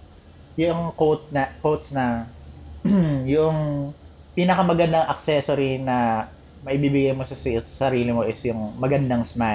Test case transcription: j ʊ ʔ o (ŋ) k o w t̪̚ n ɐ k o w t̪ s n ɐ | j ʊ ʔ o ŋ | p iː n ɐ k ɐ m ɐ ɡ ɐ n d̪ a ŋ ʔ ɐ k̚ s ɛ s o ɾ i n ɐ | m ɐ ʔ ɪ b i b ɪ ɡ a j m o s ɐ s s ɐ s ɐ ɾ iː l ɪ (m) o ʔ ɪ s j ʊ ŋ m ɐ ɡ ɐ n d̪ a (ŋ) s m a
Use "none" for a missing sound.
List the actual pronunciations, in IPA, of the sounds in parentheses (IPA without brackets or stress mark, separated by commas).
ŋ, m, ŋ